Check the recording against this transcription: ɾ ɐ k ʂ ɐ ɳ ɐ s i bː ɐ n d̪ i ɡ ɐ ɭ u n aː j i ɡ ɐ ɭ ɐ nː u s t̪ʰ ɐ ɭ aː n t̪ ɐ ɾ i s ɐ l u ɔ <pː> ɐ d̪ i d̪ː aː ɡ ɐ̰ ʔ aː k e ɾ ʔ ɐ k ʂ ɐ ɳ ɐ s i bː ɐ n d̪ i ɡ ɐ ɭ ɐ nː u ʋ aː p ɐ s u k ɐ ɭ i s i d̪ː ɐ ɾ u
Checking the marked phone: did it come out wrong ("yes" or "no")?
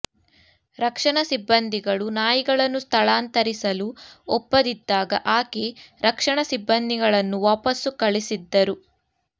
no